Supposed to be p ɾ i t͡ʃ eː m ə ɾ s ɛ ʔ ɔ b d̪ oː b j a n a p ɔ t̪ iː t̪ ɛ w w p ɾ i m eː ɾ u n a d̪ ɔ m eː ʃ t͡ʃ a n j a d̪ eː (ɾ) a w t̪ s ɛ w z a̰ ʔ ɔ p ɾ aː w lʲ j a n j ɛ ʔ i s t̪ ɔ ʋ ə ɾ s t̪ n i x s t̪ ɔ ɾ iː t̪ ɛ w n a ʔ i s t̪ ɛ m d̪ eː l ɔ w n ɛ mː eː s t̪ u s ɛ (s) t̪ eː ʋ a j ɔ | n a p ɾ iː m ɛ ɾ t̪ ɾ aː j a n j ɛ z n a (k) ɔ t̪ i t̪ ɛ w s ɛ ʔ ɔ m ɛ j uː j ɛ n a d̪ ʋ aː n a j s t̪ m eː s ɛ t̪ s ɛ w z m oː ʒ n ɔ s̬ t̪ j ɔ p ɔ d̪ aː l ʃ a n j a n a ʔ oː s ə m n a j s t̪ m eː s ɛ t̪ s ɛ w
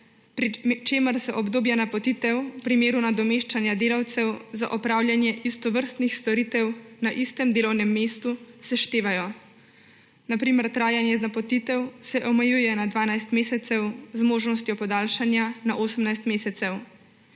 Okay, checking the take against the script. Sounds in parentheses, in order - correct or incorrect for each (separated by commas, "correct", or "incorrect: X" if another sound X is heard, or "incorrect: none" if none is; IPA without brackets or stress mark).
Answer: incorrect: l, incorrect: ʃ, incorrect: p